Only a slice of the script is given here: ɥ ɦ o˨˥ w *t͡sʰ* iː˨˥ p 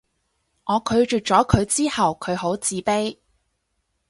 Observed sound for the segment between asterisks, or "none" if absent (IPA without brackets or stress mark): t͡s